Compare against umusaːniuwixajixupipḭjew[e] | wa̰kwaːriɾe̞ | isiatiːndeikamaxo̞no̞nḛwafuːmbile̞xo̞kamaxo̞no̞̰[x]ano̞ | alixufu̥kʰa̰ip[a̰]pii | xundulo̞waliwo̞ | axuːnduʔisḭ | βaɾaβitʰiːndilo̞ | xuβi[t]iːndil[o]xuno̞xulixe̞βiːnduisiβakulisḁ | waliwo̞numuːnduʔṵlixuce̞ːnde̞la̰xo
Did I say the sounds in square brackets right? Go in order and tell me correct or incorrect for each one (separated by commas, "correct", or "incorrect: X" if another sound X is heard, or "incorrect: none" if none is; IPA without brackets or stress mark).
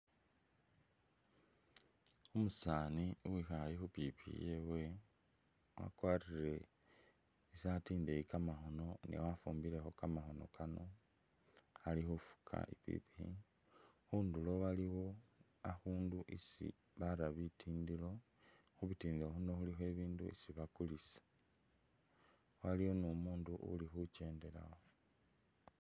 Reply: correct, incorrect: k, incorrect: ḭ, correct, correct